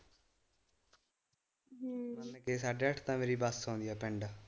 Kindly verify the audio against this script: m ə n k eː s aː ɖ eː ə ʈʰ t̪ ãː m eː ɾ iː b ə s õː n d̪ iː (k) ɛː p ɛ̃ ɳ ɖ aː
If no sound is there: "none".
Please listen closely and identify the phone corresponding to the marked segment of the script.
none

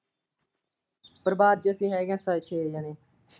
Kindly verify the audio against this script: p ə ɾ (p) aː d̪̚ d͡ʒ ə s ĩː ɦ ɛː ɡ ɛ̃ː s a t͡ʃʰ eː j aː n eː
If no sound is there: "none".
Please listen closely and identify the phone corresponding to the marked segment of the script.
b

